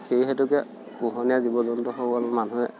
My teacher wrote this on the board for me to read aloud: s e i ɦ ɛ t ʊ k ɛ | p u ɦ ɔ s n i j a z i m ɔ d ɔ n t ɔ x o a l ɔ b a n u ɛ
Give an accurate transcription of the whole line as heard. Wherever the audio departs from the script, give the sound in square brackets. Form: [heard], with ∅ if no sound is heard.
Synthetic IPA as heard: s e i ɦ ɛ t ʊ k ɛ | p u ɦ ɔ [∅] n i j a z i [b] ɔ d ɔ n t ɔ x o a l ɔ [m] a n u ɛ

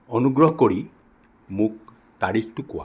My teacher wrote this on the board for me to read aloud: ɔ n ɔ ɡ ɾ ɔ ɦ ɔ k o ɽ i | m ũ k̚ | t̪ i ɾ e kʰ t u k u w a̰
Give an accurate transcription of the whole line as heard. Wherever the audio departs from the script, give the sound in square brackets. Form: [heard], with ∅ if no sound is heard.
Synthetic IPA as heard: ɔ n [u] ɡ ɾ ɔ ɦ ɔ k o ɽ i | m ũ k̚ | t̪ [a] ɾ [i] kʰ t u k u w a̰

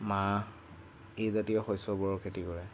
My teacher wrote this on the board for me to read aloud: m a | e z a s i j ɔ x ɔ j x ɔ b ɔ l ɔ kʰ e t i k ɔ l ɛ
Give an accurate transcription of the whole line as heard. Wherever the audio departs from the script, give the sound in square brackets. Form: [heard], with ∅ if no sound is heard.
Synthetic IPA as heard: m a | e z a [t] i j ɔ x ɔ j [s] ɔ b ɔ [ɹ] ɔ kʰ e t i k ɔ [ɹ] ɛ

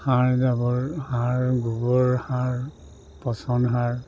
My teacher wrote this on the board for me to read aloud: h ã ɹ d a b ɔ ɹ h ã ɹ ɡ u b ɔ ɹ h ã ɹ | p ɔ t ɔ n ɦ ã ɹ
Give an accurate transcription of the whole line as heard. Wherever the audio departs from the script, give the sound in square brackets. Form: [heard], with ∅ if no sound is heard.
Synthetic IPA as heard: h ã ɹ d a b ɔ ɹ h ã ɹ ɡ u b ɔ ɹ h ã ɹ | p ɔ [s] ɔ n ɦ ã ɹ

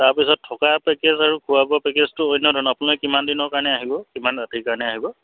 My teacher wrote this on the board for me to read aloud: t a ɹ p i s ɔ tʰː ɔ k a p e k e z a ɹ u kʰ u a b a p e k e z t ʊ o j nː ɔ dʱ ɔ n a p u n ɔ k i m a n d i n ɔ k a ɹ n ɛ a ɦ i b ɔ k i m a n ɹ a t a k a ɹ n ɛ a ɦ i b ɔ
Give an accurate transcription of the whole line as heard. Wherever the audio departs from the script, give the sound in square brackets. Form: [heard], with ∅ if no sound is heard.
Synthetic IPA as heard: t a ɹ p i s ɔ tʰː ɔ k a p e k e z a ɹ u kʰ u a b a p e k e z t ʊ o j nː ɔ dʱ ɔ n a p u n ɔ k i m a n d i n ɔ k a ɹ n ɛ a ɦ i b ɔ k i m a n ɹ a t [i] k a ɹ n ɛ a ɦ i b ɔ

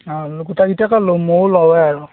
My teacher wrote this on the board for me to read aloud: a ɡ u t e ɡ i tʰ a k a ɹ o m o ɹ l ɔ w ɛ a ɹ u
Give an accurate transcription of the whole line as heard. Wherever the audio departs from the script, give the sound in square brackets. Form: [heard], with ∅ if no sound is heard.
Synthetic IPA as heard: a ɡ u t [a] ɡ i [t] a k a [l] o m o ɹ l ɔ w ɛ a ɹ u

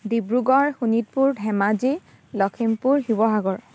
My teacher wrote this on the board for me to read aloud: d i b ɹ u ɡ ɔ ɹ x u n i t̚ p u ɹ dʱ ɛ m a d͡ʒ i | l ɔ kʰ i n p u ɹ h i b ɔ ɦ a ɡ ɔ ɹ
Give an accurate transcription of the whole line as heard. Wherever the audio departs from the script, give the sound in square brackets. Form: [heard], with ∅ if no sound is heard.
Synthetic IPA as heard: d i b ɹ u ɡ ɔ ɹ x u n i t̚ p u ɹ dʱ ɛ m a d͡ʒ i | l ɔ kʰ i [m] p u ɹ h i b ɔ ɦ a ɡ ɔ ɹ

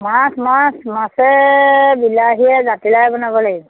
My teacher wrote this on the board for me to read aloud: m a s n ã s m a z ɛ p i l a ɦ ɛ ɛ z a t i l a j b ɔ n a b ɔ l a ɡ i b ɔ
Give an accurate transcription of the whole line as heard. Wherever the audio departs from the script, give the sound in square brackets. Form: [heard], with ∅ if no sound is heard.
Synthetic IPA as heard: m a s [m] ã s m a [s] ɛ [b] i l a ɦ [i] ɛ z a t i l a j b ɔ n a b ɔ l a ɡ i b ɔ

